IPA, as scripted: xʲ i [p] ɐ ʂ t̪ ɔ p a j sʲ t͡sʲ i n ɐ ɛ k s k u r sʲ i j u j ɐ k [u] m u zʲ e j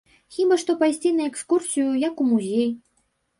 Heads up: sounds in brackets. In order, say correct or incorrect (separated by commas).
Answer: incorrect, correct